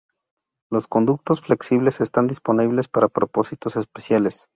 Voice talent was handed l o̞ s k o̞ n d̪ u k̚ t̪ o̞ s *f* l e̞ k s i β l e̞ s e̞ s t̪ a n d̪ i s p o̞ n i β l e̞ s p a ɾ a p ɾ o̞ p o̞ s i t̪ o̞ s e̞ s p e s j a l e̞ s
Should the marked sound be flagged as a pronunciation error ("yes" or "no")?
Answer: no